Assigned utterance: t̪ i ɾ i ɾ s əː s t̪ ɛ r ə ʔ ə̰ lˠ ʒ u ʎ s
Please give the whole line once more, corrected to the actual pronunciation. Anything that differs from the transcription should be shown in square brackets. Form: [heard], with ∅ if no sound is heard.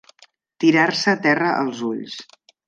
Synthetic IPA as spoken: t̪ i ɾ [a] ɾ s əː [∅] t̪ ɛ r ə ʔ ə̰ lˠ [z] u ʎ s